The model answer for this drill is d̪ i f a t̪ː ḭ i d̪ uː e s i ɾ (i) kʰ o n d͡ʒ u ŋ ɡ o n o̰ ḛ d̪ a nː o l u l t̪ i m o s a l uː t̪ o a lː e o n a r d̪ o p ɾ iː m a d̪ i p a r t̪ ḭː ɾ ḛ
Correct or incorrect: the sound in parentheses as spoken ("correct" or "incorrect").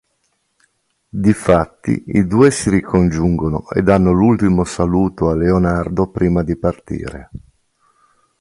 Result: correct